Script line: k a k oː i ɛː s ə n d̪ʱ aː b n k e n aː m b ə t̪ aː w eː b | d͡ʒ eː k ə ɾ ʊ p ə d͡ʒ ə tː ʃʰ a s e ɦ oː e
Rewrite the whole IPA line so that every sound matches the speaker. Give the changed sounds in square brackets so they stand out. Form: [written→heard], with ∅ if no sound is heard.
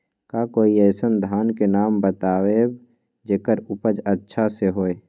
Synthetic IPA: k a k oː i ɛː s ə n d̪ʱ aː [b→∅] n k e n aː m b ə t̪ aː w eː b | d͡ʒ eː k ə ɾ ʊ p ə d͡ʒ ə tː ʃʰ a s e ɦ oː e